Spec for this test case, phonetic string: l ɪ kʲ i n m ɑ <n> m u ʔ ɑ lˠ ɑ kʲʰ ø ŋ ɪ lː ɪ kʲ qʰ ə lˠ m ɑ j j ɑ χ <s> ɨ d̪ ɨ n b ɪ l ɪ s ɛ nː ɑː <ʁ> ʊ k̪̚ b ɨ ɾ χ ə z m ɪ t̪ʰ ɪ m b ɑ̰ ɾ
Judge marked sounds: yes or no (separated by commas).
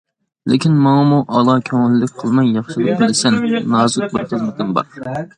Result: no, no, no